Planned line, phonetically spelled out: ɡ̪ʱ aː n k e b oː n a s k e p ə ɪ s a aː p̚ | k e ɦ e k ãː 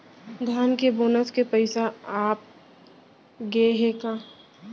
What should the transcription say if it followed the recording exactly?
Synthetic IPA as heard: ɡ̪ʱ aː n k e b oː n ə s k e p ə ɪ s a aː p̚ | ɡ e ɦ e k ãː